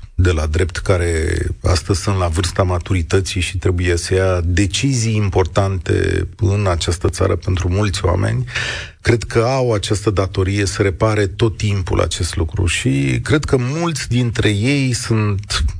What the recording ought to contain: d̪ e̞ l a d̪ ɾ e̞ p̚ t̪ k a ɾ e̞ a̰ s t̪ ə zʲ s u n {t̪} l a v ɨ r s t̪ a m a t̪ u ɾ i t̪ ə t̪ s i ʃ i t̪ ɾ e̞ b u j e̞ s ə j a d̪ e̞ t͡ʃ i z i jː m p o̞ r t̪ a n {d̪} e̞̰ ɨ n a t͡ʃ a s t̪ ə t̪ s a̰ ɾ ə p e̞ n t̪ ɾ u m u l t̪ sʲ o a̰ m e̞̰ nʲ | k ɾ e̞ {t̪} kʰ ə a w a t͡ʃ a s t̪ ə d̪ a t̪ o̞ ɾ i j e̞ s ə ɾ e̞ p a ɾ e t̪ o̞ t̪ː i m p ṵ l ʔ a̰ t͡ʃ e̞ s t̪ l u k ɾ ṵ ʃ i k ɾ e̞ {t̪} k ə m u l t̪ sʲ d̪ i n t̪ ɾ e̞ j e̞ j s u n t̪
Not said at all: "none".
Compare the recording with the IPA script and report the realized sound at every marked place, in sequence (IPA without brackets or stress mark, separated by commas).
t̪, t̪, d̪, d̪